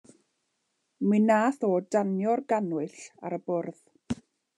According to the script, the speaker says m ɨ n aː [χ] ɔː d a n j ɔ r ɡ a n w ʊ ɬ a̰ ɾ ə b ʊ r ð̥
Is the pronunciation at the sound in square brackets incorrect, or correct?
incorrect: θ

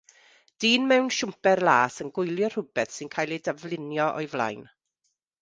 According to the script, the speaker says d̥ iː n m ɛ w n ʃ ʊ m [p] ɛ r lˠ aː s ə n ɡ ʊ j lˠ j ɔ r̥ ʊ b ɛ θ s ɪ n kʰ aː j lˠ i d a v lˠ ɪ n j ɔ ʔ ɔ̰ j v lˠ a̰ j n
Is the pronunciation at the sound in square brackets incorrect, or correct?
correct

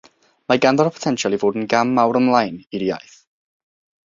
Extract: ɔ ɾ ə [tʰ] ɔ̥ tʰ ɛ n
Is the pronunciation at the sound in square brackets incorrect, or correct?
incorrect: pʰ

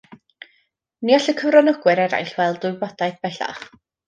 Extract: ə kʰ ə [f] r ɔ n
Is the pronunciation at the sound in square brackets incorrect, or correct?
incorrect: v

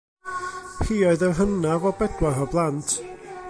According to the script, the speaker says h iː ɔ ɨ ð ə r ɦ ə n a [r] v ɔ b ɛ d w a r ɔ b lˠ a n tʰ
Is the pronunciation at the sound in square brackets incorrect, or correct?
incorrect: none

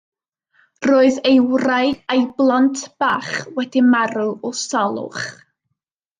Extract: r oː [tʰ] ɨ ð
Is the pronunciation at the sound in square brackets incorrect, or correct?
incorrect: none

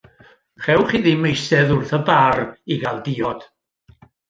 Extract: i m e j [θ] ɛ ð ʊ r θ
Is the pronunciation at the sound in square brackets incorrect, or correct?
incorrect: s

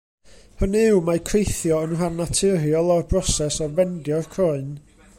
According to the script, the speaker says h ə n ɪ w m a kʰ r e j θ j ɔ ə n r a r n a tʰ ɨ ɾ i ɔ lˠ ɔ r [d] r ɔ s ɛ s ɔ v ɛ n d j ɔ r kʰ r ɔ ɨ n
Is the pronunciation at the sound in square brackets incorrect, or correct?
incorrect: b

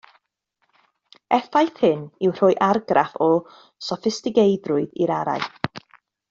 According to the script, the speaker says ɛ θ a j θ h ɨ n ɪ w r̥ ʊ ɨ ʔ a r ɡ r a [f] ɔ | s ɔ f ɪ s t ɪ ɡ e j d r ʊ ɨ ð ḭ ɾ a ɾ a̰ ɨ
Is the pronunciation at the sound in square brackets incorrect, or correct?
correct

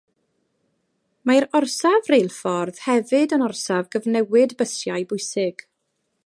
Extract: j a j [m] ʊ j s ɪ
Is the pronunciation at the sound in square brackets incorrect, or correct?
incorrect: b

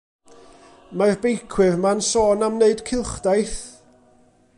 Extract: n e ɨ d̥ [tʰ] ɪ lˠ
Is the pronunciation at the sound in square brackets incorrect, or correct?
incorrect: kʰ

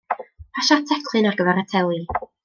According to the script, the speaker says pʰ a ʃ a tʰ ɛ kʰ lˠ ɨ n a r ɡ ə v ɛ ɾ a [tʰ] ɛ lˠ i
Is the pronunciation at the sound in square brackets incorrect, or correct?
correct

